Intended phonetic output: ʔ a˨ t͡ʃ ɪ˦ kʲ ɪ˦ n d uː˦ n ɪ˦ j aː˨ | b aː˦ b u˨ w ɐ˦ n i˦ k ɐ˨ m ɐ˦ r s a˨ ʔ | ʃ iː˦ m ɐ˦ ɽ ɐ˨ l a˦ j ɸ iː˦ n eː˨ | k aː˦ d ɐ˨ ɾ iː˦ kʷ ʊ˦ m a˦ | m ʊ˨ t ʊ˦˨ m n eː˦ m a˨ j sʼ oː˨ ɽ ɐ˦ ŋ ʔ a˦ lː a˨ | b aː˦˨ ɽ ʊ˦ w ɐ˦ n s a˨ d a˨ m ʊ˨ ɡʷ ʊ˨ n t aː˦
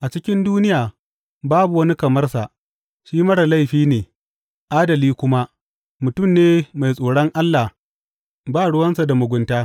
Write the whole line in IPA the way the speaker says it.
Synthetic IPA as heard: ʔ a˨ t͡ʃ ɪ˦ kʲ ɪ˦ n d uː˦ n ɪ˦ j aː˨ | b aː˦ b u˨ w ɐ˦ n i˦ k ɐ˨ m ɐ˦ r s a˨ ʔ | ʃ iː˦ m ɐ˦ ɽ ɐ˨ l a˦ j ɸ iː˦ n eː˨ | ʔ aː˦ d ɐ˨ l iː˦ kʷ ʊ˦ m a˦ | m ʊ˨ t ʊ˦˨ m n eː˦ m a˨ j sʼ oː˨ ɽ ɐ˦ ŋ ʔ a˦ lː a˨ | b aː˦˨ ɽ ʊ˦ w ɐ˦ n s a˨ d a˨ m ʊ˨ ɡʷ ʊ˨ n t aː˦